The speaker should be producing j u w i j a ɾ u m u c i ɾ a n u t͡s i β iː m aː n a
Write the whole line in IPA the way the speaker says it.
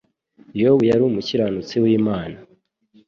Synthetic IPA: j o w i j a ɾ u m u c i ɾ a n u t͡s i w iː m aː n a